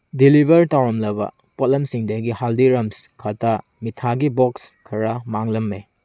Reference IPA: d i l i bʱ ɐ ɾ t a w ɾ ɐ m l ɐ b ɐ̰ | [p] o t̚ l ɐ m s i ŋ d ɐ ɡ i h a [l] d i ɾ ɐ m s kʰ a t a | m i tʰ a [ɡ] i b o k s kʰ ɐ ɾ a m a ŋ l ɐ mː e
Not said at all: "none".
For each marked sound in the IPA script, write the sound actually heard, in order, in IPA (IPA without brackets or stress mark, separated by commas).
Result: p, l, ɡ